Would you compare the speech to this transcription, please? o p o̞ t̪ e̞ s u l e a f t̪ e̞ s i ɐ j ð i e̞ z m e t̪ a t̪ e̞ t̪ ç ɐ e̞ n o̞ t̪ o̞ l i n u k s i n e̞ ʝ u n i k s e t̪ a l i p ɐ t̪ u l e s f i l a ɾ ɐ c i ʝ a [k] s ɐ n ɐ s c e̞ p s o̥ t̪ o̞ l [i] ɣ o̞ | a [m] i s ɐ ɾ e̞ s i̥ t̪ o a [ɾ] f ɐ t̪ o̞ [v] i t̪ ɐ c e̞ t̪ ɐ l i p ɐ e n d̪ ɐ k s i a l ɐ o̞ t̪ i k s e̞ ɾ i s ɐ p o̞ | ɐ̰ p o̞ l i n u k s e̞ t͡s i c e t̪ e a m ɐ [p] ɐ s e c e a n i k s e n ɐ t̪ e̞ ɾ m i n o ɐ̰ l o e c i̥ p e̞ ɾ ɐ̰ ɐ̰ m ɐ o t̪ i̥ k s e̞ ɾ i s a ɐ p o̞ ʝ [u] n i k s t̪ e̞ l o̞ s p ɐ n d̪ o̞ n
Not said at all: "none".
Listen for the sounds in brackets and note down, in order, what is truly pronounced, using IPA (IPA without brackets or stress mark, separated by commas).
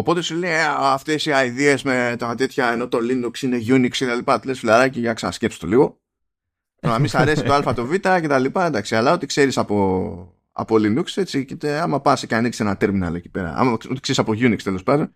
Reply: k, i, m, l, v, p, u